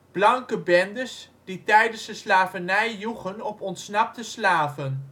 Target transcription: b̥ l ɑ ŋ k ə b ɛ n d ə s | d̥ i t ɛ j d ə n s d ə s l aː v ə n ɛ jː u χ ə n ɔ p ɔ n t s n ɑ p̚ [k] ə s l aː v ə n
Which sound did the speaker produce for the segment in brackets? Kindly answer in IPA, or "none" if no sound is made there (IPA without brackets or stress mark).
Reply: t